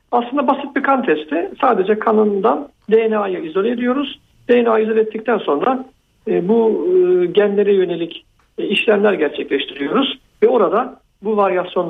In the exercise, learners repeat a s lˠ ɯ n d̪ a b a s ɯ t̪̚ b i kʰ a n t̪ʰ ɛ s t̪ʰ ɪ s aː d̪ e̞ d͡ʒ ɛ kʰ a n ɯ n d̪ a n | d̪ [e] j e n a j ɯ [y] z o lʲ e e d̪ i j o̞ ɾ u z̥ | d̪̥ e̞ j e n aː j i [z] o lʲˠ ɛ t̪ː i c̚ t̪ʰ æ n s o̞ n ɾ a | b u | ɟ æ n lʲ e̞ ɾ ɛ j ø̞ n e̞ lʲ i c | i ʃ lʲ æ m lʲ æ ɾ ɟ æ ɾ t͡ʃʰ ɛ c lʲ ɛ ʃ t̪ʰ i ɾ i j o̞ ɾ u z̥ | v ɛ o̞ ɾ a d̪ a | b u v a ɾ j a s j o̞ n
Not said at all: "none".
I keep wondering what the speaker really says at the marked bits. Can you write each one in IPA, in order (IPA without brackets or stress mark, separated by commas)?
e, i, z